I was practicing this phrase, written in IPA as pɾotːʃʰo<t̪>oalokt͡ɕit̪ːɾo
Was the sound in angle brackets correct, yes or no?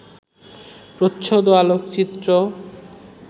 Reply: no